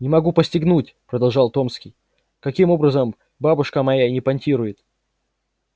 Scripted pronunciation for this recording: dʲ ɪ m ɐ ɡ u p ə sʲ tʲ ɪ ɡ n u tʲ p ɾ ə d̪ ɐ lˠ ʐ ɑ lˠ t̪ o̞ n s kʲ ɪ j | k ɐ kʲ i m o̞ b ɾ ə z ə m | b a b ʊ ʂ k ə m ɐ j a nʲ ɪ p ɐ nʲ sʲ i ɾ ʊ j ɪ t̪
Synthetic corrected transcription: nʲ ɪ m ɐ ɡ u p ə sʲ tʲ ɪ ɡ n u tʲ p ɾ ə d̪ ɐ lˠ ʐ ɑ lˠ t̪ o̞ m s kʲ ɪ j | k ɐ kʲ i m o̞ b ɾ ə z ə m | b a b ʊ ʂ k ə m ɐ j a nʲ ɪ p ɐ nʲ tʲ i ɾ ʊ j ɪ t̪